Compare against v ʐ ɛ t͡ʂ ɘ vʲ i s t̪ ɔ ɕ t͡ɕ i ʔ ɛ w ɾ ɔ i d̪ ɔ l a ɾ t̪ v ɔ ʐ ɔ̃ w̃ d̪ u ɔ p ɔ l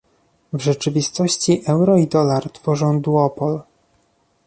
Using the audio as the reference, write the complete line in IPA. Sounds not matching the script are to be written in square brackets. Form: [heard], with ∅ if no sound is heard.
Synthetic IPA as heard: v ʐ ɛ t͡ʂ ɘ vʲ i s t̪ ɔ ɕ t͡ɕ i ʔ ɛ w ɾ ɔ i d̪ ɔ l a ɾ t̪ [f] ɔ ʐ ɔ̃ w̃ d̪ u ɔ p ɔ l